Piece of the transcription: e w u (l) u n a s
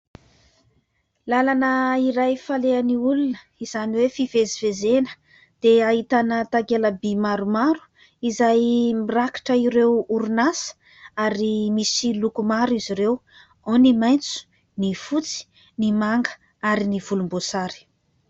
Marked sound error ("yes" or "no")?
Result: yes